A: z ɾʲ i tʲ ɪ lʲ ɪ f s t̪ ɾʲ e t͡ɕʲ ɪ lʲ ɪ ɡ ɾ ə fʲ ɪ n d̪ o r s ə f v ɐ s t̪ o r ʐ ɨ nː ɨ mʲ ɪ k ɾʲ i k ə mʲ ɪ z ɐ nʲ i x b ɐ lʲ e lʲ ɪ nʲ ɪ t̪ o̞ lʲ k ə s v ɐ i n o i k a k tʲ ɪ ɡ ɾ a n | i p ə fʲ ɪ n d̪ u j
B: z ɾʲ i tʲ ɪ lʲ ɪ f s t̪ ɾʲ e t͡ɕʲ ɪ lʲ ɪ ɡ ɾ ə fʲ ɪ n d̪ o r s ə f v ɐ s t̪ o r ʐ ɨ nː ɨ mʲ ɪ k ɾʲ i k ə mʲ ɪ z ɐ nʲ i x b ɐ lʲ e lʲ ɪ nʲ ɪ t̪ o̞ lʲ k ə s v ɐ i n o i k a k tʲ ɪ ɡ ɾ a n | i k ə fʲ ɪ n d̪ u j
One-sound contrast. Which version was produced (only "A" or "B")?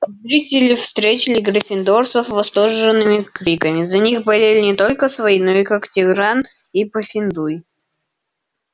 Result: A